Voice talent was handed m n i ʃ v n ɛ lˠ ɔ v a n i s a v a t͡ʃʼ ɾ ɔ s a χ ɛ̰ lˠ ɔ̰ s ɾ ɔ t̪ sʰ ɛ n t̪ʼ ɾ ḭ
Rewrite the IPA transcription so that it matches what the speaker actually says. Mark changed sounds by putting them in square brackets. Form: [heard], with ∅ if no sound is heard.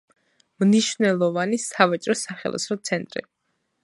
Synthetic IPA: m n i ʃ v n ɛ lˠ ɔ v a n i s a v a t͡ʃʼ ɾ ɔ s a χ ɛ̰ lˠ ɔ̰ s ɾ ɔ t̪ sʰ ɛ n t̪ʼ ɾ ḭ